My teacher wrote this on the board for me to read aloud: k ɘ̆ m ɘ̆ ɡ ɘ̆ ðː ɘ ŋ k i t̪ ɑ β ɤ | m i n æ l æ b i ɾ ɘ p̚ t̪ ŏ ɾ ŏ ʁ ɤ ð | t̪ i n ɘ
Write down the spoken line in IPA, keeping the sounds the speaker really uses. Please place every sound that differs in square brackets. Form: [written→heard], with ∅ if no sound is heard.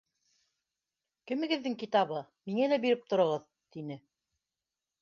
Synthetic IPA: k ɘ̆ m ɘ̆ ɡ ɘ̆ ðː ɘ ŋ k i t̪ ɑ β ɤ | m i [n→ŋ] æ l æ b i ɾ ɘ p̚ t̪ ŏ ɾ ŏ ʁ ɤ ð | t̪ i n ɘ